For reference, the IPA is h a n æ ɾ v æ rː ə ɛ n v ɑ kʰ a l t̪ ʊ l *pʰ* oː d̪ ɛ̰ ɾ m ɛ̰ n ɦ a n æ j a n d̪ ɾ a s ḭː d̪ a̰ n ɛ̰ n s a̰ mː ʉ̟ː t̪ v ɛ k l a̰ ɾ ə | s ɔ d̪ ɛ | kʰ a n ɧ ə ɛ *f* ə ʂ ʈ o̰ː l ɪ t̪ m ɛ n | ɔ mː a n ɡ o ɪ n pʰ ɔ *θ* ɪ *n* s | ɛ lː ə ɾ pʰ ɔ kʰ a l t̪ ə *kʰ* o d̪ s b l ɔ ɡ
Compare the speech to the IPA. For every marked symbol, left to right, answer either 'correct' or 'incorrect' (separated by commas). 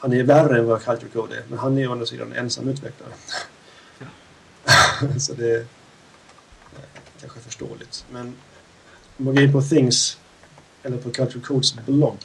incorrect, correct, correct, incorrect, correct